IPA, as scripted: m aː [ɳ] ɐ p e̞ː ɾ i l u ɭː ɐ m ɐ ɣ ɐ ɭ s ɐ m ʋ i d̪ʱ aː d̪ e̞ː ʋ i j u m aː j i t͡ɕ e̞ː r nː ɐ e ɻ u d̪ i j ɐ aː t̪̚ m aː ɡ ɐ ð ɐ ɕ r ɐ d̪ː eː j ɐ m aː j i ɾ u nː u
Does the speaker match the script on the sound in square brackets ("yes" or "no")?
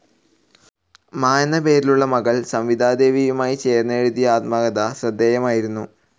no